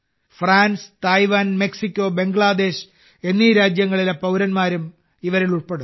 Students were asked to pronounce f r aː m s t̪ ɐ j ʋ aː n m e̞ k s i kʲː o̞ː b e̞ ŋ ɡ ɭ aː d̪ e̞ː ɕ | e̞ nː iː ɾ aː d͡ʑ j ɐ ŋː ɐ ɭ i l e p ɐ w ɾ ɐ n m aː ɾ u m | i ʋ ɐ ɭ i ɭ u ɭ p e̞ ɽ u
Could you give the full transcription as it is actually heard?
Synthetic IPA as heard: f r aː n s t̪ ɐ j ʋ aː n m e̞ k s i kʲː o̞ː b e̞ ŋ ɡ ɭ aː d̪ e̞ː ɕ | e̞ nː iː ɾ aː d͡ʑ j ɐ ŋː ɐ ɭ i l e p ɐ w ɾ ɐ n m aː ɾ u m | i ʋ ɐ ɾ i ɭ u ɭ p e̞ ɽ u